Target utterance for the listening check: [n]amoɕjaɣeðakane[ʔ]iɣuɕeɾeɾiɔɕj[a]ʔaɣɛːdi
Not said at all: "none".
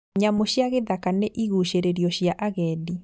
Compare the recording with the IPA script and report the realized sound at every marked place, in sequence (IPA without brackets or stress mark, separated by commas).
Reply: ɲ, ʔ, a